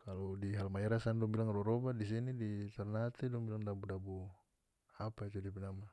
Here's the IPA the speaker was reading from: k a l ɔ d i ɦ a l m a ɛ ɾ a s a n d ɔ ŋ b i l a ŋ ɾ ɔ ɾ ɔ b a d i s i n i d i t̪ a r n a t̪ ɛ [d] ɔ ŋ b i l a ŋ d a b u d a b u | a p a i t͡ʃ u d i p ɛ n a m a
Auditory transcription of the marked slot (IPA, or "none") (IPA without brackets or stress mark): d